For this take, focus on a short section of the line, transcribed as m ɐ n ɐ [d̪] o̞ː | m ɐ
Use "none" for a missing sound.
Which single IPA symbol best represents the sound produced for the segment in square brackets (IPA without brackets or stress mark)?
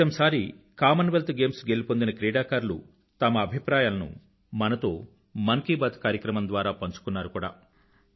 t̪